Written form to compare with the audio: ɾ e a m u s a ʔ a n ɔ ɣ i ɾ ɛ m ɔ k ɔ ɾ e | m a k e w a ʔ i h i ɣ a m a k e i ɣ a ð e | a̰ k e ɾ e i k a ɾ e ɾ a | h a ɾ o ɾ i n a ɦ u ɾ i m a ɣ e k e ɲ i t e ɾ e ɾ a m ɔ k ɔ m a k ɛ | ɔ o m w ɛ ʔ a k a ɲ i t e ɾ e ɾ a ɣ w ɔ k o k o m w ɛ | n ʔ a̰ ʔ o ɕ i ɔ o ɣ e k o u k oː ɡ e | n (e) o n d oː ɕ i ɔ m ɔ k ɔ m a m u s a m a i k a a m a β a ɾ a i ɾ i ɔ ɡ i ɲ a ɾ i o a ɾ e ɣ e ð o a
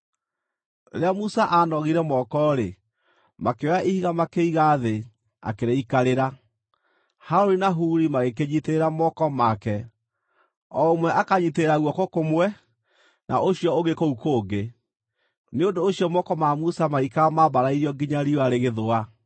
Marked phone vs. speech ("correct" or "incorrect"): correct